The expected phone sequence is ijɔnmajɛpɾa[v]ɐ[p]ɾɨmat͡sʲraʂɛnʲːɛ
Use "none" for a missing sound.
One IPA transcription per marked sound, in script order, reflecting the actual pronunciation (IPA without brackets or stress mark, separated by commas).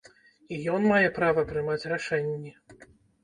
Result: v, p